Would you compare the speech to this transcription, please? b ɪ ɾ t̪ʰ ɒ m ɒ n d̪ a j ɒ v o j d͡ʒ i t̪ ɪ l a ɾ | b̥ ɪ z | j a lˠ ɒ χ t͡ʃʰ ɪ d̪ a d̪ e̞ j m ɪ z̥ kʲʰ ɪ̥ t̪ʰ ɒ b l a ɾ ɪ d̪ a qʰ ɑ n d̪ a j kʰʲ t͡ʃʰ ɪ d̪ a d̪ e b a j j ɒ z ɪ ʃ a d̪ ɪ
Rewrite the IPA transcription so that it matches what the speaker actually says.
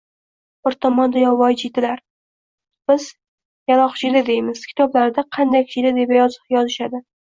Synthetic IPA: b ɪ ɾ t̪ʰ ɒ m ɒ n d̪ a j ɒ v ɒ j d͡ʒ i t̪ ɪ l a ɾ | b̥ ɪ z | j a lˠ ɒ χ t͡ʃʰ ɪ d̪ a d̪ e̞ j m ɪ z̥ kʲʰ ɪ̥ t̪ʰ ɒ b l a ɾ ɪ d̪ a qʰ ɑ n d̪ a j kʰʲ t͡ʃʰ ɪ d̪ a d̪ e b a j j ɒ z ɪ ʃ a d̪ ɪ